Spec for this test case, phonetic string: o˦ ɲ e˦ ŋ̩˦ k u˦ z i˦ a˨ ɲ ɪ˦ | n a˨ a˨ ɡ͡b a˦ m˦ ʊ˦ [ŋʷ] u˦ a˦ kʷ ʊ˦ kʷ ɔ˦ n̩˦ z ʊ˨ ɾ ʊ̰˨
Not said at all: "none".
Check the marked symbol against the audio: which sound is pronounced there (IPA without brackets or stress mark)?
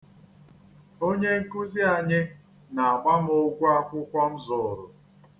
ɡʷ